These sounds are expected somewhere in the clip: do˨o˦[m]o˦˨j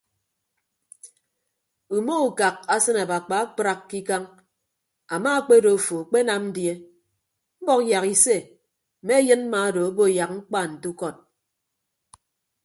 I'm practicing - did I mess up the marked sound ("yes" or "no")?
yes